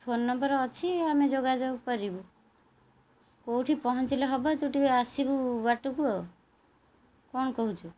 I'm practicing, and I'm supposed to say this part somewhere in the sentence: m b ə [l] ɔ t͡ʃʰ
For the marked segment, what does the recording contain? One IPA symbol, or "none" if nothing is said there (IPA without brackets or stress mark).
ɾ